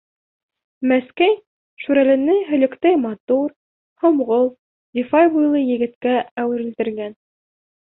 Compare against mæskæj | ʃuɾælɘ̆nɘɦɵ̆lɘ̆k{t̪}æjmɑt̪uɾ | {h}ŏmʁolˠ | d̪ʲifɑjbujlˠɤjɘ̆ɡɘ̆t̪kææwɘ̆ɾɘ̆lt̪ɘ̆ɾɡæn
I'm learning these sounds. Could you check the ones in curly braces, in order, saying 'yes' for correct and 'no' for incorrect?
yes, yes

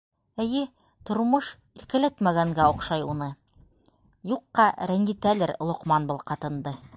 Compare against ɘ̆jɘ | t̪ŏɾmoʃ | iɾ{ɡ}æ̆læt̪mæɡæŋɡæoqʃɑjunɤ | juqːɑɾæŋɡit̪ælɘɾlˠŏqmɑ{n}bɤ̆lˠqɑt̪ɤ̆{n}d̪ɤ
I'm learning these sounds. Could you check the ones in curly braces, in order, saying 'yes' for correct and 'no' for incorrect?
no, yes, yes

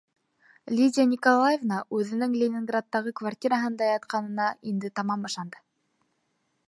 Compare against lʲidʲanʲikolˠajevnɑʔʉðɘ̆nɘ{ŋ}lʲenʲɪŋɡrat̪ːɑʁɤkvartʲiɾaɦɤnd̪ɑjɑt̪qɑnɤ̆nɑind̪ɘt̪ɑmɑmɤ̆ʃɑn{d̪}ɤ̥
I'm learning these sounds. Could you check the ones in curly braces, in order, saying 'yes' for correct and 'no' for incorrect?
yes, yes

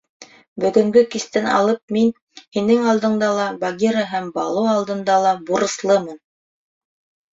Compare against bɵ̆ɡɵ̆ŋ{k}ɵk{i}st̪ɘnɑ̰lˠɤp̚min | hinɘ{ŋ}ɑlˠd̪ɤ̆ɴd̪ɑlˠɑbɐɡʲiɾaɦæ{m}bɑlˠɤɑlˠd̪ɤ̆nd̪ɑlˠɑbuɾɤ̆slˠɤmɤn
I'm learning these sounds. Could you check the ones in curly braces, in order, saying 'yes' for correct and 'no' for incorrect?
no, yes, yes, yes

